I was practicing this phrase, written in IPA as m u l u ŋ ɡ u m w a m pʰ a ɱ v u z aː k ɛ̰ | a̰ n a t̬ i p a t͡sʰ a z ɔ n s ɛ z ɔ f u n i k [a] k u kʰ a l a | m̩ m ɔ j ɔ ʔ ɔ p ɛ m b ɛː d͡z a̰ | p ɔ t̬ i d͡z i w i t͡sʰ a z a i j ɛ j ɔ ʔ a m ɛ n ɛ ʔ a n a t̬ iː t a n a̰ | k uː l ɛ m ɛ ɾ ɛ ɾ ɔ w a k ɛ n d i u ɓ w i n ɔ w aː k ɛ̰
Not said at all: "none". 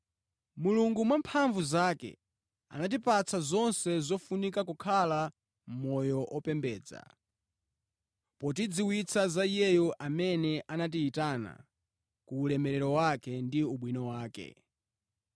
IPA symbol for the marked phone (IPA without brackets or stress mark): a